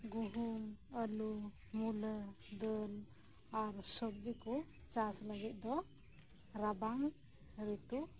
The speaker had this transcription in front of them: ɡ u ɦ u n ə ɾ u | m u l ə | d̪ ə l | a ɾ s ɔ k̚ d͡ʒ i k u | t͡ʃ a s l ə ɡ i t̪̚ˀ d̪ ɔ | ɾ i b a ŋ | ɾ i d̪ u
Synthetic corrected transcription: ɡ u ɦ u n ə l u | m u l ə | d̪ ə l | a ɾ s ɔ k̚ d͡ʒ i k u | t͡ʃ a s l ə ɡ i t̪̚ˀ d̪ ɔ | ɾ a b a ŋ | ɾ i t̪ u